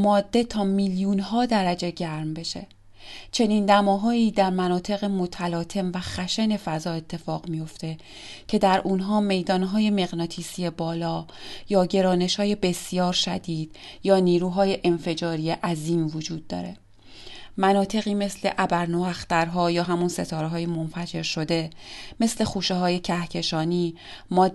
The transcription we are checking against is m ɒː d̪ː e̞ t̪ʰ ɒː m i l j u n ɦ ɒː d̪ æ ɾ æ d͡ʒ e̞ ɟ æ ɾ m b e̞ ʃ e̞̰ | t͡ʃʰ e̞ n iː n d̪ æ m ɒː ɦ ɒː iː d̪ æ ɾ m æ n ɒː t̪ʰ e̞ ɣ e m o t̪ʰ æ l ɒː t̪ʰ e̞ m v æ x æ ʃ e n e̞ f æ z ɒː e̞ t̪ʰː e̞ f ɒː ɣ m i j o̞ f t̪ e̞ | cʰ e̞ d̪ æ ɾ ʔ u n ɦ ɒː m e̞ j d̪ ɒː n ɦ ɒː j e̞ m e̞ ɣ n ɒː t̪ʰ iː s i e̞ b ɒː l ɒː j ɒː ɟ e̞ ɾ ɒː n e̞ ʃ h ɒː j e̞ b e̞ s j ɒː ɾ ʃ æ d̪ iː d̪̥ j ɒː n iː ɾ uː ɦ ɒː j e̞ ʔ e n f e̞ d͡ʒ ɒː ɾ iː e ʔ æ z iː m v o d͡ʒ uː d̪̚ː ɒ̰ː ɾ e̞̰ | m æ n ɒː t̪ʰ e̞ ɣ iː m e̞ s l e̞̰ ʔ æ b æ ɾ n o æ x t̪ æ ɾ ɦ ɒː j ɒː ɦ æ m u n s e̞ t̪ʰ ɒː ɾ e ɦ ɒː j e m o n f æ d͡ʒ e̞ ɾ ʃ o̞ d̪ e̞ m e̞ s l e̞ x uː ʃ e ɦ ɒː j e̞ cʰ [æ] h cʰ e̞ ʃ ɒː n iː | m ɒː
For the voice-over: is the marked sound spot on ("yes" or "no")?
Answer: yes